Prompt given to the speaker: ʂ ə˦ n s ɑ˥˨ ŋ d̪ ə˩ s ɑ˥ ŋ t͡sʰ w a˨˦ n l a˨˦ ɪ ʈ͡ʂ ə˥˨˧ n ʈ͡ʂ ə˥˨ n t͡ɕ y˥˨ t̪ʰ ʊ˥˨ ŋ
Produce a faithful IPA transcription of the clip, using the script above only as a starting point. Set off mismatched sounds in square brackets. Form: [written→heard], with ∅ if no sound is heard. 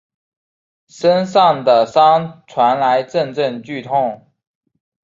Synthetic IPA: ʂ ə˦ n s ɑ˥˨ ŋ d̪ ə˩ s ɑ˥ ŋ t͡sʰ w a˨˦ n l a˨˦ ɪ ʈ͡ʂ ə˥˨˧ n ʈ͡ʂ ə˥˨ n t͡ɕ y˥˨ t̪ʰ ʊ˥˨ ŋ